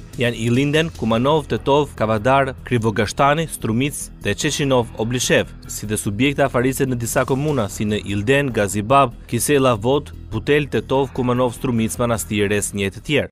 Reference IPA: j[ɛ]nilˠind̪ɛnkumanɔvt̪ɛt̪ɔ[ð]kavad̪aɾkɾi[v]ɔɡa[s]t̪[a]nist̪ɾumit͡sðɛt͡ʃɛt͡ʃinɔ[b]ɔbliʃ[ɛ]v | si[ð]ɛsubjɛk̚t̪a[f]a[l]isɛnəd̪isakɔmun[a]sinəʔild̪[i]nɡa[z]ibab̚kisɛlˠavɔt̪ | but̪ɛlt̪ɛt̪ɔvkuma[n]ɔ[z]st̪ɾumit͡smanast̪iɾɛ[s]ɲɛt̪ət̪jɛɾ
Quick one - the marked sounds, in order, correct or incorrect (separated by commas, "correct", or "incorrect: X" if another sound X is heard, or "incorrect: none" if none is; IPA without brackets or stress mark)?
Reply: incorrect: a, incorrect: v, correct, incorrect: ʃ, correct, incorrect: v, correct, correct, correct, incorrect: ɾ, correct, incorrect: ɛ, correct, correct, incorrect: v, correct